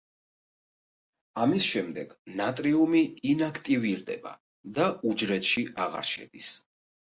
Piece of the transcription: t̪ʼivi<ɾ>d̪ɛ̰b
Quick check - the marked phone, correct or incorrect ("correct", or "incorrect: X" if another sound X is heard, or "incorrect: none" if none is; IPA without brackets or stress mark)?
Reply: correct